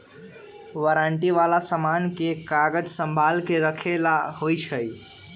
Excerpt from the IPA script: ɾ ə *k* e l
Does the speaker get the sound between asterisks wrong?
yes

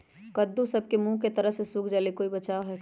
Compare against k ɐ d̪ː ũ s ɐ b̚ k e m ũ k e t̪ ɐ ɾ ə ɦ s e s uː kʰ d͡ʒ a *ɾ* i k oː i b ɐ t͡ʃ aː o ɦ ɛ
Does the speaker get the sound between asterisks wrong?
yes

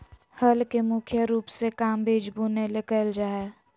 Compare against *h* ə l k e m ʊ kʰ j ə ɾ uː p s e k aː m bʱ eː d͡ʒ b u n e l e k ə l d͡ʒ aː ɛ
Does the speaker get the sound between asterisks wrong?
no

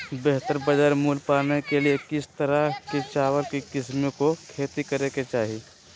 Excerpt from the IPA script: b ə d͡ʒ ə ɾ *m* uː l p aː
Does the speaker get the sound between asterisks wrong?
no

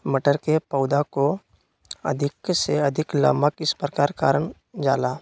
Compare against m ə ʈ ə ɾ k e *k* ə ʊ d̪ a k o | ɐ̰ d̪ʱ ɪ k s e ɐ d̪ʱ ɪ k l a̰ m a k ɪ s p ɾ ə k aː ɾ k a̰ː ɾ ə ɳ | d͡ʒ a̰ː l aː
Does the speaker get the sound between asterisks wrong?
yes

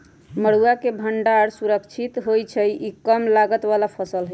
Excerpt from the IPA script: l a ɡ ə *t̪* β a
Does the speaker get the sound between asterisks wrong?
no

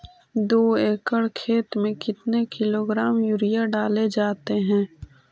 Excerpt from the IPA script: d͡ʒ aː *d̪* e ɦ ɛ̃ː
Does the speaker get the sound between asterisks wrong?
yes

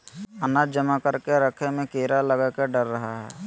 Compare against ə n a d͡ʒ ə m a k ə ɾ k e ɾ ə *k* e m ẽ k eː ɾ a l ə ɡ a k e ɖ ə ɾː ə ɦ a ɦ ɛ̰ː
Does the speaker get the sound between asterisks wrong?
yes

